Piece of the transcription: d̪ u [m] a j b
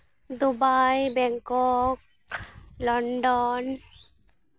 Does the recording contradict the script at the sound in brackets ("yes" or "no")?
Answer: yes